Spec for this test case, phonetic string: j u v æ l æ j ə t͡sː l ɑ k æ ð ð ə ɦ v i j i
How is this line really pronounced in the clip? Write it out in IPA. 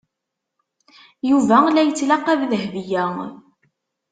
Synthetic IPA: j u v æ l æ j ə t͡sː l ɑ q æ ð ð ə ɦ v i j æ